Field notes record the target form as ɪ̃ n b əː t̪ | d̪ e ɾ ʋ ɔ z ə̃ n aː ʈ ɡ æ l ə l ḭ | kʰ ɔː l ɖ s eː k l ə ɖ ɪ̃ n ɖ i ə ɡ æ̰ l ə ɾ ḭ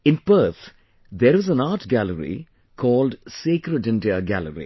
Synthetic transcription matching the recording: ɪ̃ n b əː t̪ | d̪ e ɾ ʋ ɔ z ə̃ n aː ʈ ɡ æ l ə ɾ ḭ | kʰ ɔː l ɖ s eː k ɾ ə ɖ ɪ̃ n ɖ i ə ɡ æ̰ l ə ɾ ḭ